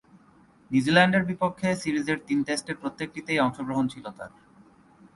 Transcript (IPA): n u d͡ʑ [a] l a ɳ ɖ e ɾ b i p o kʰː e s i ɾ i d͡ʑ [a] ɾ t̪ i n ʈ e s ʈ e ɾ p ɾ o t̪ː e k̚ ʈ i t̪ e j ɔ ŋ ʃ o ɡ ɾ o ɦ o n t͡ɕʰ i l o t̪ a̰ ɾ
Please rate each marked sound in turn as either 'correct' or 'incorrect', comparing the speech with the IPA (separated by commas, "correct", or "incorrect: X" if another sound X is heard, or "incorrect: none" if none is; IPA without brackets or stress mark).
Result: incorrect: i, incorrect: e